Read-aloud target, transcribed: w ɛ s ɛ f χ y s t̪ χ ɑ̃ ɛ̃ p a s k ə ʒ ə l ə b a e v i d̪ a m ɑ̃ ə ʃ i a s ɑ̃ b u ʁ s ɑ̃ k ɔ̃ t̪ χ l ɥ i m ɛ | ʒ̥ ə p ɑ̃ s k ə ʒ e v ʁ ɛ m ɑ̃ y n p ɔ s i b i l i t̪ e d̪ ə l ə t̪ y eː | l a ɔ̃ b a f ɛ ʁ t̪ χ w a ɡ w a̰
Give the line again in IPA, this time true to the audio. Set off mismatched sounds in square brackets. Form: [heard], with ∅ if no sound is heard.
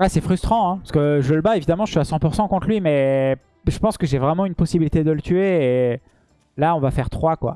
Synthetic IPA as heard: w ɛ s ɛ f χ y s t̪ χ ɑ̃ ɛ̃ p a s k ə ʒ ə l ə b a e v i d̪ a m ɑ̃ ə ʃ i a s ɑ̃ [p] u ʁ s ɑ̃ k ɔ̃ t̪ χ l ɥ i m ɛ | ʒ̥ ə p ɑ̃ s k ə ʒ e v ʁ ɛ m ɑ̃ y n p ɔ s i b i l i t̪ e d̪ ə l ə t̪ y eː | l a ɔ̃ [v] a f ɛ ʁ t̪ χ w a [k] w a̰

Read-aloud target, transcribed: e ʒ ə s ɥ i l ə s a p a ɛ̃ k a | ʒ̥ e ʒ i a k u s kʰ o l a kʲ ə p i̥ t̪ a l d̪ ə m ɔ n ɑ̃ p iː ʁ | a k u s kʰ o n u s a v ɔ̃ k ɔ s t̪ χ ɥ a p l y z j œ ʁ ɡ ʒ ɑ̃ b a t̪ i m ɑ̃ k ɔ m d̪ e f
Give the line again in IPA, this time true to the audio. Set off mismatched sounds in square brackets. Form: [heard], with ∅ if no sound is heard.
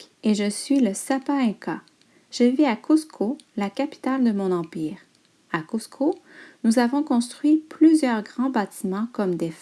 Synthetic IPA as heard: e ʒ ə s ɥ i l ə s a p a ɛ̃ k a | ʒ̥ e [v] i a k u s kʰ o l a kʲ [a] p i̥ t̪ a l d̪ ə m [ɔ̃] n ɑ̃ p iː ʁ | a k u s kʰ o n u [z] a v ɔ̃ k [ɔ̃] s t̪ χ ɥ [i] p l y z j œ ʁ ɡ [ʁ] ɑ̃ b a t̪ i m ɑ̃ k ɔ m d̪ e f

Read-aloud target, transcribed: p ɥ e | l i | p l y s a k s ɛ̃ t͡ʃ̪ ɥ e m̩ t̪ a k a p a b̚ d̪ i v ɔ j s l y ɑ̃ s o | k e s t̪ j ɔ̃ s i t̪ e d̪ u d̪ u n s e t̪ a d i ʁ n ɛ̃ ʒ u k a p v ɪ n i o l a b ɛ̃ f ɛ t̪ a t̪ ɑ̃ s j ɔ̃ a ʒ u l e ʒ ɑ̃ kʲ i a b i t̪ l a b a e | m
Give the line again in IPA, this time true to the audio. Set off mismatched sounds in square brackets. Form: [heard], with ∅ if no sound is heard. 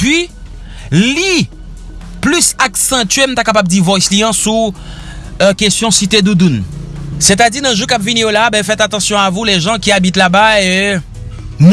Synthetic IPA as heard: p ɥ [i] | l i | p l y s a k s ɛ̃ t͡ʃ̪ ɥ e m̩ t̪ a k a p a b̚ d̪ i v ɔ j s l [i] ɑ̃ s [u] | k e s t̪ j ɔ̃ s i t̪ e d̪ u d̪ u n s e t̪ a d i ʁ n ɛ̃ ʒ u k a p v [i] n i o l a b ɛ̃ f ɛ t̪ a t̪ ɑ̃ s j ɔ̃ a [v] u l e ʒ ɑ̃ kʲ i a b i t̪ l a b a e | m

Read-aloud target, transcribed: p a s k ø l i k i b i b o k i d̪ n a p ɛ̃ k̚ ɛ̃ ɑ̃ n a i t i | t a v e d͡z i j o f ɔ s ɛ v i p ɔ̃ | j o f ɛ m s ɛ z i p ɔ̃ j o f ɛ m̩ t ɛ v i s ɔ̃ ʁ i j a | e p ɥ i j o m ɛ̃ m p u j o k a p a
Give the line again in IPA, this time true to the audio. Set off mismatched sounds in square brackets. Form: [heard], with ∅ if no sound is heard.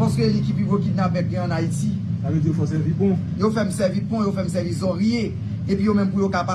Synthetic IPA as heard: p a s k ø l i k i [p] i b o k i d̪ n a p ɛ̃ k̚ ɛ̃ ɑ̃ n a i t i | [s] a v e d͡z i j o f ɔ s ɛ v i p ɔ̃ | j o f ɛ m s ɛ [v] i p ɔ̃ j o f ɛ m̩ [s] ɛ v i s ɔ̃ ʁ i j [e] | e p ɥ i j o m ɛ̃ m p u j o k a p a

